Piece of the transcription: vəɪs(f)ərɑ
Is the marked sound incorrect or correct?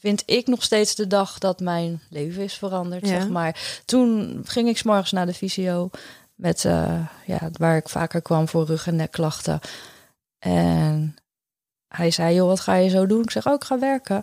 correct